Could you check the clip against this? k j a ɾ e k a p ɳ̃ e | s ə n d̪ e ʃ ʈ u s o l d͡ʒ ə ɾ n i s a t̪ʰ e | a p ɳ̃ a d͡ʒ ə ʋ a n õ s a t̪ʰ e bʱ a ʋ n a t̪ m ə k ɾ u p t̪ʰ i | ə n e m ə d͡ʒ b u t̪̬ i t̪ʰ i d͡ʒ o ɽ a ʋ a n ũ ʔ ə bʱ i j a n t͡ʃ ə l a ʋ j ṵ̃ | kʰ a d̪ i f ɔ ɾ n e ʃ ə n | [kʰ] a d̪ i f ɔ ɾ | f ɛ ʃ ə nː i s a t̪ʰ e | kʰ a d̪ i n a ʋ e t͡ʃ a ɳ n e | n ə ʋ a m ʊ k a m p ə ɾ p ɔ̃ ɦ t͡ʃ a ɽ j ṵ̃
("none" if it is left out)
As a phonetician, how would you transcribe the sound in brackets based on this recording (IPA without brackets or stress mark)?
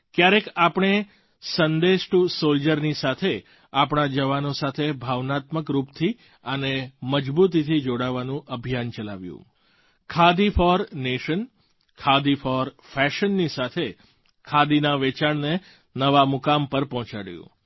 kʰ